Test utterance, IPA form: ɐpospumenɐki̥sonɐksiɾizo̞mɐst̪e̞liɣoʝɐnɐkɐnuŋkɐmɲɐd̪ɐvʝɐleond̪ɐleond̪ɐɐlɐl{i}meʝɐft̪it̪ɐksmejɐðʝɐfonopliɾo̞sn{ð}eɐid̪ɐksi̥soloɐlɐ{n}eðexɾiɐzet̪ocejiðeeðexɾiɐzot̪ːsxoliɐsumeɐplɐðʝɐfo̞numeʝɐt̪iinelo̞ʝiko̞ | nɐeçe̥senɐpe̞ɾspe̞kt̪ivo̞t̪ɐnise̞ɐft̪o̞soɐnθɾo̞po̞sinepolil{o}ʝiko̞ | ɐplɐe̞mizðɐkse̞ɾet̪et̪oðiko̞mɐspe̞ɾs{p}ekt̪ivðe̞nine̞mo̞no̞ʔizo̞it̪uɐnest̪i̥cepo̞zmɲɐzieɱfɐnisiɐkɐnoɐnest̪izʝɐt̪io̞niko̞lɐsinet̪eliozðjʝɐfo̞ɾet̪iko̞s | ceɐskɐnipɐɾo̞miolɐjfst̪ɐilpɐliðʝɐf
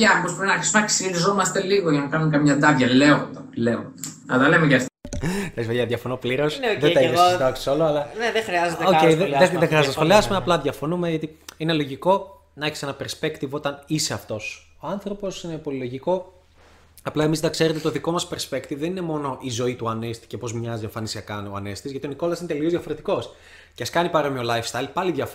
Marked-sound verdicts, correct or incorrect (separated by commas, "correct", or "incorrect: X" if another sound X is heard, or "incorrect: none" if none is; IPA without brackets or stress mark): incorrect: e, correct, correct, correct, correct